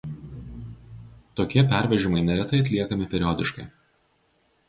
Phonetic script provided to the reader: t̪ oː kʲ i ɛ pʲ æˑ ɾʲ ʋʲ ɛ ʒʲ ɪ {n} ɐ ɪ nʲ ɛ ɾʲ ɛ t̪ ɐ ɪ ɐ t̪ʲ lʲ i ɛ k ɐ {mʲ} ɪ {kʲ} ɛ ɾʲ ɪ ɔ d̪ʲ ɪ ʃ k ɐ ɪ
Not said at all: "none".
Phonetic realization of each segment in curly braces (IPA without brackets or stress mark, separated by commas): m, mʲ, pʲ